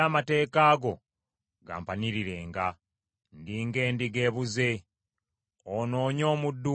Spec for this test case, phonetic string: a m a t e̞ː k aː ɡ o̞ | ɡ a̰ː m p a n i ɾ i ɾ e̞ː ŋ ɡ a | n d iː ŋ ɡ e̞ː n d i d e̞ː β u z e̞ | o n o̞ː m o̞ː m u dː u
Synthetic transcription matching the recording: a m a t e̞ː k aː ɡ o̞ | ɡ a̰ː m p a n i ɾ i ɾ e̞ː ŋ ɡ a | n d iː ŋ ɡ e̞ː n d i ɡ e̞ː β u z e̞ | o n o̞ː ɲ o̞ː m u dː u